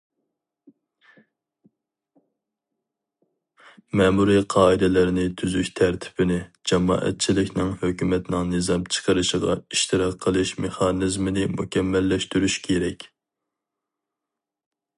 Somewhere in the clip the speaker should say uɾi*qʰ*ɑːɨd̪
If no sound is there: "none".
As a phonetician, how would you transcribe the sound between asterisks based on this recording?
qʰ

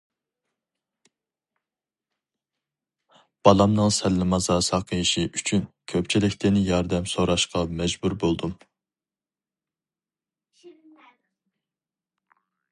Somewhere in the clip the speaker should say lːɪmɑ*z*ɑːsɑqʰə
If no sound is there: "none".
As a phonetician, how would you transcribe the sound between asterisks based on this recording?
z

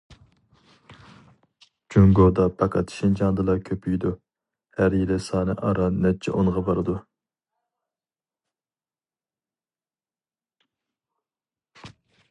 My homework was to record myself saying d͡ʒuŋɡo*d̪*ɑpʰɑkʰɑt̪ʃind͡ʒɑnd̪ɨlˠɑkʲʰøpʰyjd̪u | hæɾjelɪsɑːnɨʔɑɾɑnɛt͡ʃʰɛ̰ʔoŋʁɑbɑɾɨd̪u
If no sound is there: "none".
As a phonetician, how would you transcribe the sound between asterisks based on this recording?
d̪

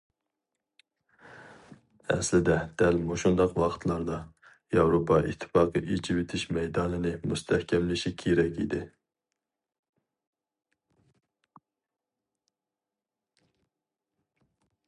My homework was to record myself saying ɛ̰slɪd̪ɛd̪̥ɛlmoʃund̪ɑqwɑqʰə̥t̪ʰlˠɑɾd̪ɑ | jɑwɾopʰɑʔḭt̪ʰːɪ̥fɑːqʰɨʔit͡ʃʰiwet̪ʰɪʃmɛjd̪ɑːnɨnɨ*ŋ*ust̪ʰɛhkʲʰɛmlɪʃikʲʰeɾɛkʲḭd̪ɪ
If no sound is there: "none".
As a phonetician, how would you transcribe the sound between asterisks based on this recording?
m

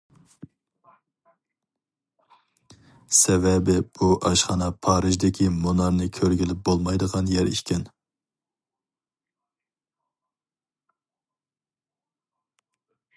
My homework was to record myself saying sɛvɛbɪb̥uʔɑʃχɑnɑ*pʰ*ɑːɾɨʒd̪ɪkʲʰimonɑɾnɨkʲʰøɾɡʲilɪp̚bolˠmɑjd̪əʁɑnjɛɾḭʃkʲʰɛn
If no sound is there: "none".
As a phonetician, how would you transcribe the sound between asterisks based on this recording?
pʰ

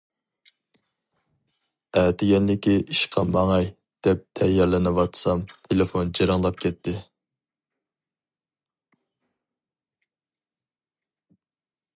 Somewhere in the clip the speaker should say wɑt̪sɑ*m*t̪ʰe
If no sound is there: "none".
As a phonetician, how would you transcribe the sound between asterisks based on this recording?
m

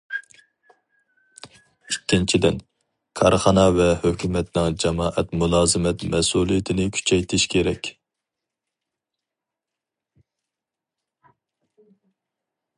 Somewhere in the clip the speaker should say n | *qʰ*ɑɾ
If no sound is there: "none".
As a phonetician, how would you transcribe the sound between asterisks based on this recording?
kʰ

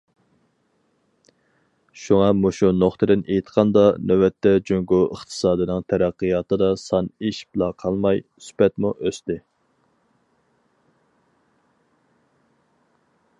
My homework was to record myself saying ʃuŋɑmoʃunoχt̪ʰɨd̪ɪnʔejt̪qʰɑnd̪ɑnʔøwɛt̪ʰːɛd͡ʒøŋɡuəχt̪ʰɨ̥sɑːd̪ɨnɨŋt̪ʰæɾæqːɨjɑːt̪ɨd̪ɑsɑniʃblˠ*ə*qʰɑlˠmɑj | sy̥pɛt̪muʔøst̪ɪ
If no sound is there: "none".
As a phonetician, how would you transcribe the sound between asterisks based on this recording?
ɑ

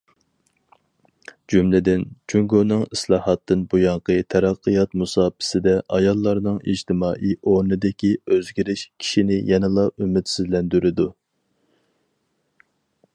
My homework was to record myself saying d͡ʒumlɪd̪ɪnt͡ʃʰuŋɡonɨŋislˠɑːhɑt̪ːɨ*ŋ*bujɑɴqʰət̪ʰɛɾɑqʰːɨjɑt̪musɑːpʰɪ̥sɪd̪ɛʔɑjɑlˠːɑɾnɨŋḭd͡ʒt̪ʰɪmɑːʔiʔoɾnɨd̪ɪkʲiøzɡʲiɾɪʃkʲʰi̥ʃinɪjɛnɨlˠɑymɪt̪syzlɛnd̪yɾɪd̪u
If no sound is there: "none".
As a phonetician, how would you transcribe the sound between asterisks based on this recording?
n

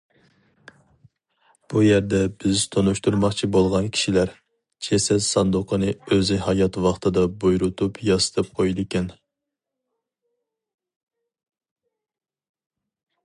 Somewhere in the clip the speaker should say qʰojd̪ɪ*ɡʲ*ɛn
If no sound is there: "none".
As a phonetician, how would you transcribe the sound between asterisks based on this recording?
kʲ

